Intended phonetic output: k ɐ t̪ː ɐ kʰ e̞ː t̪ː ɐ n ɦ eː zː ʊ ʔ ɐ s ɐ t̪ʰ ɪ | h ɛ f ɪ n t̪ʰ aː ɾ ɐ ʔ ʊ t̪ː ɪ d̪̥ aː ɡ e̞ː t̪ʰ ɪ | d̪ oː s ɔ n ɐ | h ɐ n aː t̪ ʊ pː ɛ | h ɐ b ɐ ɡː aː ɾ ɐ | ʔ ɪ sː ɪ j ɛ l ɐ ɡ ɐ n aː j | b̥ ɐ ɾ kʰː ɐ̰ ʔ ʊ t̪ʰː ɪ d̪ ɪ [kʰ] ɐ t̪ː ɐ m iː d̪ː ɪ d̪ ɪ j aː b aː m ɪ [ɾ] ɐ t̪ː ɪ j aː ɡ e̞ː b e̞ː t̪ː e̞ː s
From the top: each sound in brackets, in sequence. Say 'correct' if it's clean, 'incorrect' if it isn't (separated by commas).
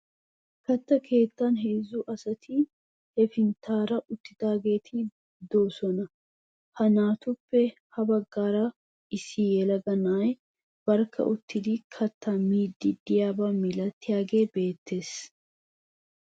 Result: correct, incorrect